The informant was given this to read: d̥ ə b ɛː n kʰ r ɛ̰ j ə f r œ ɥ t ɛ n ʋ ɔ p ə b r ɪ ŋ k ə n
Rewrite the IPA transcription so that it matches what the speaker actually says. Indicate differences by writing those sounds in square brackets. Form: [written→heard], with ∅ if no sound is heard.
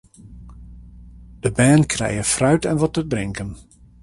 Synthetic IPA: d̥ ə b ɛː n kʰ r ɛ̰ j ə f r œ ɥ t ɛ n ʋ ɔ [p→t] ə b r ɪ ŋ k ə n